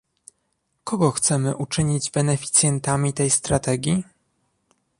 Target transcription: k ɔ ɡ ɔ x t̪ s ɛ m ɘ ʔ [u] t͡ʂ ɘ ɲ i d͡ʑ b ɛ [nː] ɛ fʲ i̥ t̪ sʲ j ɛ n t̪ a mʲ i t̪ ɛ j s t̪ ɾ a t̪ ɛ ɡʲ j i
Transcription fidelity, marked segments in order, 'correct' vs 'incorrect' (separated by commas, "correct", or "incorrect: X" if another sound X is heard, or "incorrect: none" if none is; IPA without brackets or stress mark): correct, incorrect: n